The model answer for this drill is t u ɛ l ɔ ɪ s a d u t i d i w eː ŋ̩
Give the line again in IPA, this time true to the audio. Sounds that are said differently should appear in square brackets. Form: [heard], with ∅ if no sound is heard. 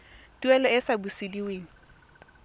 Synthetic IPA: t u ɛ l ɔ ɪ s a [b] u [s] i d i w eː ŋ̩